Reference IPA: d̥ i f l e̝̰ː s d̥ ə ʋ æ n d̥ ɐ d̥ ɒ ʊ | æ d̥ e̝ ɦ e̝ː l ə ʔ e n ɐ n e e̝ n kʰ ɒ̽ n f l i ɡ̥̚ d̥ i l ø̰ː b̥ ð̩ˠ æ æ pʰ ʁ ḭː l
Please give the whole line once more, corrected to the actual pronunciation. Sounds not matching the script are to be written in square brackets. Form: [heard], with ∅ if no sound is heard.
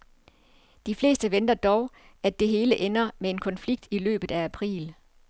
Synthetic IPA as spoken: d̥ i f l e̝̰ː s d̥ ə ʋ [e] n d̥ ɐ d̥ ɒ ʊ | æ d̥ e̝ ɦ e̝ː l ə ʔ e n ɐ [m] e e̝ n kʰ ɒ̽ n f l i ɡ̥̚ d̥ i l ø̰ː b̥ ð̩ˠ æ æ pʰ ʁ ḭː l